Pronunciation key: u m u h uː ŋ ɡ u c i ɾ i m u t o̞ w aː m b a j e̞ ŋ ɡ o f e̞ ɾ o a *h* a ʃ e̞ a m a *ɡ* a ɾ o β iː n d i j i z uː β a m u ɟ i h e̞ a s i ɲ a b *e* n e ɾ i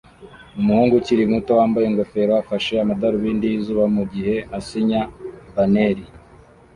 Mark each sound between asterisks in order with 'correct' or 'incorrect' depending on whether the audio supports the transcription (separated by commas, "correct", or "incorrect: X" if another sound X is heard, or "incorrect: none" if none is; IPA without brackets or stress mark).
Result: incorrect: f, incorrect: d, incorrect: a